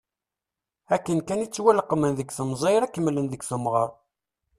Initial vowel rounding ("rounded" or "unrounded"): unrounded